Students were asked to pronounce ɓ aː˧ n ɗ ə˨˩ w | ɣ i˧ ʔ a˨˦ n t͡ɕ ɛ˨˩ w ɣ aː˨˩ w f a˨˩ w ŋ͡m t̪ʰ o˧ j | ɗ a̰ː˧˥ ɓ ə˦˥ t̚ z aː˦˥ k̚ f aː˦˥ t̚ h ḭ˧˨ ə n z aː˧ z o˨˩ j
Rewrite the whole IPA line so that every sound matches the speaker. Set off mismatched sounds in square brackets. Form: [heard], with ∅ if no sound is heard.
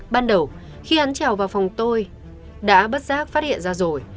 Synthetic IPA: ɓ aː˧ n ɗ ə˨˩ w | [x] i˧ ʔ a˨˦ n t͡ɕ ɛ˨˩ w [v] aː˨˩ w f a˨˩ w ŋ͡m [t̪] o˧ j | ɗ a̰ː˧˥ ɓ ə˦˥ t̚ z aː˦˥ k̚ f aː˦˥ t̚ h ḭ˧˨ ə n z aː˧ z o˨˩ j